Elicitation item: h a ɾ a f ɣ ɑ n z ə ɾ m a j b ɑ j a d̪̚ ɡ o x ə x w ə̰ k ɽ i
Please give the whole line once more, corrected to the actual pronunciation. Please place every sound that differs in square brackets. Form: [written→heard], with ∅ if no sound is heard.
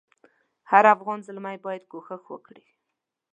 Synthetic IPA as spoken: h a ɾ a f ɣ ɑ n z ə [ɾ→l] m a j b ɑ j a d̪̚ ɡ o x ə x w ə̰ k ɽ i